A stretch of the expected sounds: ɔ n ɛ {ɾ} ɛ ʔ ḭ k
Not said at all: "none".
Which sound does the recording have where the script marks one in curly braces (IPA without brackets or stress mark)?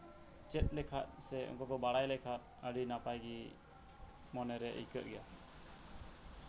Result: ɾ